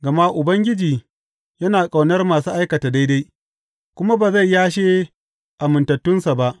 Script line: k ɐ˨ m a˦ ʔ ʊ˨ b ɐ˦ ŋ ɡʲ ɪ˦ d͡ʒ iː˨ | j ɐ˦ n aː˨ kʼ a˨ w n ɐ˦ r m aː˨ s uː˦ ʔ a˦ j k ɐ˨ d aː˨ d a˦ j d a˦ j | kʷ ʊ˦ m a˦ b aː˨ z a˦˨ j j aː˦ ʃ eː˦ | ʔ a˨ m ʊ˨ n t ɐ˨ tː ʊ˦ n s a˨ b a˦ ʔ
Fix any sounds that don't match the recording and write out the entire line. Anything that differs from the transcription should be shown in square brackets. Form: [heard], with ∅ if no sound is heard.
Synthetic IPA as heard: [ɡ] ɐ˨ m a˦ ʔ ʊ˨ b ɐ˦ ŋ ɡʲ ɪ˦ d͡ʒ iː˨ | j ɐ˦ n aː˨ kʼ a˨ w n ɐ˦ r m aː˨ s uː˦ ʔ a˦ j k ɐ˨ [t] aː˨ d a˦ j d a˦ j | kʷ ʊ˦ m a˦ b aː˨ z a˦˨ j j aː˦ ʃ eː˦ | ʔ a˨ m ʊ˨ n t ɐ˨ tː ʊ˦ n s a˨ b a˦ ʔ